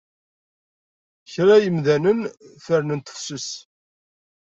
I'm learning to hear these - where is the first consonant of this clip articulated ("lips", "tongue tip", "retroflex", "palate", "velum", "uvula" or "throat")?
palate